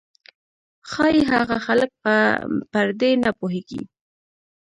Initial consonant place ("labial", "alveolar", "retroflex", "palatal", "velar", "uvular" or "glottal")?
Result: velar